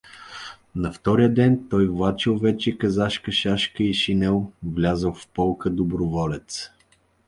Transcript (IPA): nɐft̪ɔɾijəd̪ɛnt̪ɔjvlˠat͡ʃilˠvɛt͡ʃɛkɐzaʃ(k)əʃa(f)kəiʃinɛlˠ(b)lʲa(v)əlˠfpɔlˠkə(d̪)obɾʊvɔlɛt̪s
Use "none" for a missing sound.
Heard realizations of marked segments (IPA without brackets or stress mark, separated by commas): k, ʃ, v, z, d̪